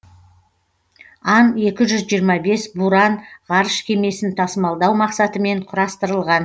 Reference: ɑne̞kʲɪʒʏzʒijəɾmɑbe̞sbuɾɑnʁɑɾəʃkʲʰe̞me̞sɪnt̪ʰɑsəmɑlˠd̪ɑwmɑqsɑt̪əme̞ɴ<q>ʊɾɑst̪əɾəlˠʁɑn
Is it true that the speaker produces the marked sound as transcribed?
no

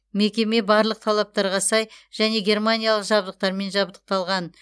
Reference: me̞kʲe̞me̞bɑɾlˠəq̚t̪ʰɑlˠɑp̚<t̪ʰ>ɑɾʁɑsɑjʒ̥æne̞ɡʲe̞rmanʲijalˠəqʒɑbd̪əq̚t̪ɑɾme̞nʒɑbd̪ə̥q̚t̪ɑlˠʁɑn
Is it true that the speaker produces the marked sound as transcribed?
no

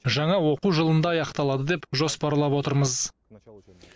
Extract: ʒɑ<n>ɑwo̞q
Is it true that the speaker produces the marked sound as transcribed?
no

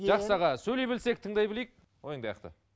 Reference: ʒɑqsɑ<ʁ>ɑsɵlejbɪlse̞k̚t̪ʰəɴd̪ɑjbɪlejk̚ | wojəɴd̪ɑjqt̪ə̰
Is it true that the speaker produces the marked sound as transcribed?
yes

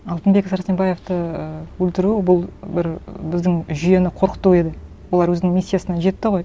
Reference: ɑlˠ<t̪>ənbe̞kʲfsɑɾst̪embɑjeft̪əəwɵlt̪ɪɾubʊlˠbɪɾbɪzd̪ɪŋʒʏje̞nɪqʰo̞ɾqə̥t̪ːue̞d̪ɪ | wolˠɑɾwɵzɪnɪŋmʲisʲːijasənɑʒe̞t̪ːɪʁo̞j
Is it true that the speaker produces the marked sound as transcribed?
yes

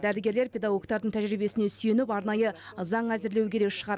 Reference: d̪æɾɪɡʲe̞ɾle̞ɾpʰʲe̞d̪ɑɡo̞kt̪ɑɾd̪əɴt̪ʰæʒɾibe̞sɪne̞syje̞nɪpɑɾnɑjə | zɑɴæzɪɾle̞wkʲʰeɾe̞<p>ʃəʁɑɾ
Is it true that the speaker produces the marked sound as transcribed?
no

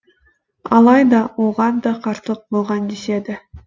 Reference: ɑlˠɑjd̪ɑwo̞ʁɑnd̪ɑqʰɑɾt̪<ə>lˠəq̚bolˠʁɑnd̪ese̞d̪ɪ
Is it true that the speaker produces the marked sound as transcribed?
yes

